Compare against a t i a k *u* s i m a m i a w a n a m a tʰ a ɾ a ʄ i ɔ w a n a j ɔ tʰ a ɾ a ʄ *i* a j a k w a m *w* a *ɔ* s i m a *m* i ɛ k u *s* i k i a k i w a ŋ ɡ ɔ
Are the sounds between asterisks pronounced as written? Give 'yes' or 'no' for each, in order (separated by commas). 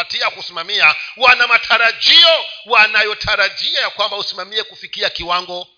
yes, yes, no, no, yes, no